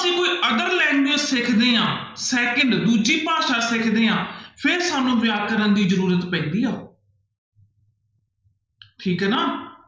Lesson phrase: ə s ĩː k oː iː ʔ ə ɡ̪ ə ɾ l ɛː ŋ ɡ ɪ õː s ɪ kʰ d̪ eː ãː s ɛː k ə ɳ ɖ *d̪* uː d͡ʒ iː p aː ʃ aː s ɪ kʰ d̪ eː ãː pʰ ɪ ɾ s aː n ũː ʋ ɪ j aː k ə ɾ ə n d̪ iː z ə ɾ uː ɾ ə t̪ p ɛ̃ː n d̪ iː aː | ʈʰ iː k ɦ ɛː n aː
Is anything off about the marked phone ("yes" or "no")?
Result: no